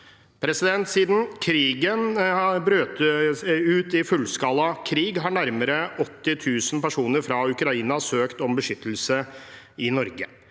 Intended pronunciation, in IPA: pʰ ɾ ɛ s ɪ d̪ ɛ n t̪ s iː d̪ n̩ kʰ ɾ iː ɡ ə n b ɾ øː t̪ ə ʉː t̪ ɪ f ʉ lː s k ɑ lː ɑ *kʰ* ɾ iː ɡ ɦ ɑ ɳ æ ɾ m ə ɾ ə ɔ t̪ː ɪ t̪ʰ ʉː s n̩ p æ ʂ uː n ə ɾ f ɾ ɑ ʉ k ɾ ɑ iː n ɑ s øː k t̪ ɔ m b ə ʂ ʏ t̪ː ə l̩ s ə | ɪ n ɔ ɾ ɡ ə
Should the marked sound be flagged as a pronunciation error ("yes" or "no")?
no